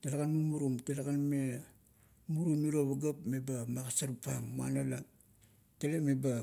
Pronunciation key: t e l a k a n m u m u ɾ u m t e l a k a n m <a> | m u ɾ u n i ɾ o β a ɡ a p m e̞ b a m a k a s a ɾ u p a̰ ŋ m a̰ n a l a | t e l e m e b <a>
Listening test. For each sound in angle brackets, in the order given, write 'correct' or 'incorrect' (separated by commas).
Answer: incorrect, correct